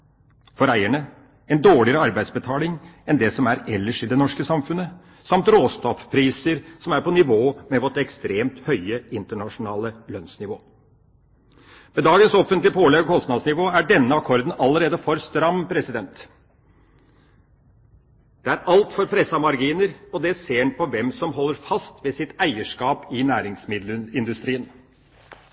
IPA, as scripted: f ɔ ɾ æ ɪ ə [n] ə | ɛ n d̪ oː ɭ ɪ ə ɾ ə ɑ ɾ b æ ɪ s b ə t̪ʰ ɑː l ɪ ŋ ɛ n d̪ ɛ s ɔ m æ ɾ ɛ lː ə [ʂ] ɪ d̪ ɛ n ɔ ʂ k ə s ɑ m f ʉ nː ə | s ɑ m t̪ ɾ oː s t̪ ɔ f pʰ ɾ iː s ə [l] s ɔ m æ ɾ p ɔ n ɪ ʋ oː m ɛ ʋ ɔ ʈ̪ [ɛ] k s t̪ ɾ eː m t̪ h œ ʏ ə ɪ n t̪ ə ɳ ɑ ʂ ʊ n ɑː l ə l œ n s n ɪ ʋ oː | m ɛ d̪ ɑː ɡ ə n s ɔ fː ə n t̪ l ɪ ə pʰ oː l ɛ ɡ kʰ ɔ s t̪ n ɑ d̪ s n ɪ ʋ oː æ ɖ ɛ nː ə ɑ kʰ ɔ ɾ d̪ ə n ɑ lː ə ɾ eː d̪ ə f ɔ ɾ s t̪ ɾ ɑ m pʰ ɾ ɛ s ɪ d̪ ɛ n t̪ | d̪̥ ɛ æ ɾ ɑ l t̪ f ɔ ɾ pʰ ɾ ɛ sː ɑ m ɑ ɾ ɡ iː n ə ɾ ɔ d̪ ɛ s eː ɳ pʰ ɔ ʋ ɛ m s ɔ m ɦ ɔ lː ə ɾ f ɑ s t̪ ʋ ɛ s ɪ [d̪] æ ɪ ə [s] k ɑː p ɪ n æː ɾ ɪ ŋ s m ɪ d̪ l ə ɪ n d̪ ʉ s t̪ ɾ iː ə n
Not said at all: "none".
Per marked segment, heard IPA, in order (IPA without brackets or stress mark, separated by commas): ɳ, ʂ, ɾ, ɛ, t̪, ʂ